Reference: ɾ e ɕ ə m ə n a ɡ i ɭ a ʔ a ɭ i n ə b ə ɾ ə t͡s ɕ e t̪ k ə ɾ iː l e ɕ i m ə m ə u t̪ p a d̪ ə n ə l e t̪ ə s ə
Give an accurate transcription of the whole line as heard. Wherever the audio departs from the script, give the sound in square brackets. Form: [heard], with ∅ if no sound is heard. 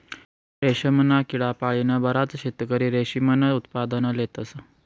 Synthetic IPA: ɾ e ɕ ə m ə n a [k] i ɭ a [p] a ɭ i n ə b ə ɾ [a] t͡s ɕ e t̪ k ə ɾ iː [ɾ] e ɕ i m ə [n] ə u t̪ p a d̪ ə n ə l e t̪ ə s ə